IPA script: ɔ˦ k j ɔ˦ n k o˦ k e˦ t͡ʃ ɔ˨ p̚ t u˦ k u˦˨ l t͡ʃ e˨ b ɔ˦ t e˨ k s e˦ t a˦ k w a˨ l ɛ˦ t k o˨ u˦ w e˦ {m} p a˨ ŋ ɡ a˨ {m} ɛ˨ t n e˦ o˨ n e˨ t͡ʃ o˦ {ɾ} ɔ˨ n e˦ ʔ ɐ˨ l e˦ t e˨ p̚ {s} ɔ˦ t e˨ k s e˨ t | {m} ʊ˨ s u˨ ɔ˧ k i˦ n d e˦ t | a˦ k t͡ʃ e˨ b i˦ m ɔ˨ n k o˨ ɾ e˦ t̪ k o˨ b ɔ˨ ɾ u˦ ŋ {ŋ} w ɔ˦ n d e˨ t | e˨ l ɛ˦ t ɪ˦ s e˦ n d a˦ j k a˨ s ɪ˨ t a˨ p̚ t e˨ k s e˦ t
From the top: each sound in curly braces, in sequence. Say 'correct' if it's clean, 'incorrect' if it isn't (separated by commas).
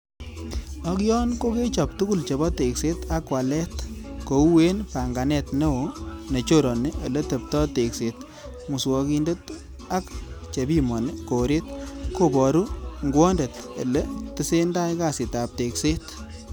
incorrect, incorrect, correct, incorrect, correct, incorrect